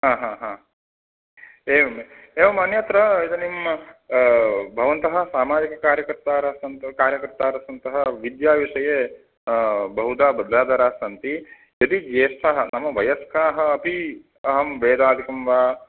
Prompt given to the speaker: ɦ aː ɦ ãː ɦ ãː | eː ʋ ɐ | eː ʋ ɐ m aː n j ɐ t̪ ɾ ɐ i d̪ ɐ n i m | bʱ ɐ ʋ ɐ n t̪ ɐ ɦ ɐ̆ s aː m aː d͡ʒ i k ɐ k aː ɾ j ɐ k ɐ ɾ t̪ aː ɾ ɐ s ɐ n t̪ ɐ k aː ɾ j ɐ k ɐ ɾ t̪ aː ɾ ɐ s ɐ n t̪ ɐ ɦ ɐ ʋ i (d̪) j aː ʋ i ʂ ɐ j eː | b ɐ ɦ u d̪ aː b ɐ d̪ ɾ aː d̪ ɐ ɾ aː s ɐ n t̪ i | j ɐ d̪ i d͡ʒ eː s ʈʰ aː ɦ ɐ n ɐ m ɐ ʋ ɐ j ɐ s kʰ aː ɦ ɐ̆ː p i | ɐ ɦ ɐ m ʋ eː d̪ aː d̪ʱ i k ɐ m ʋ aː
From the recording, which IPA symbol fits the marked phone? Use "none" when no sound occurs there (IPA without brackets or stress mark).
d̪